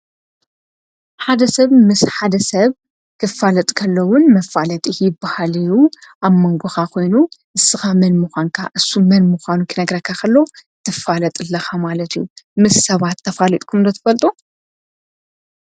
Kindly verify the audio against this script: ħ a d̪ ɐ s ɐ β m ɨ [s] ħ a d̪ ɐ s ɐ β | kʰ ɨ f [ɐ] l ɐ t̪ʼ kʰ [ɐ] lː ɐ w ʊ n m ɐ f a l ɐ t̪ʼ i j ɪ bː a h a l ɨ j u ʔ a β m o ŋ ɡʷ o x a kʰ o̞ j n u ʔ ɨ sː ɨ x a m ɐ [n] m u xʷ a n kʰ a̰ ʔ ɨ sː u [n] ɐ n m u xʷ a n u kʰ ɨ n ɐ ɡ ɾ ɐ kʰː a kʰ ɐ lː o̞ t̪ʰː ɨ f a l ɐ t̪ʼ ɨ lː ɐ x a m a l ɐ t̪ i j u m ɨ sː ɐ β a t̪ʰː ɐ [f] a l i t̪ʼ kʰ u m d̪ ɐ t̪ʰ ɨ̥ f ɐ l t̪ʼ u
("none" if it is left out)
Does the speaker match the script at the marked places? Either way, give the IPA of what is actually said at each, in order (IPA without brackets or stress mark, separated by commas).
s, a, ɐ, n, m, f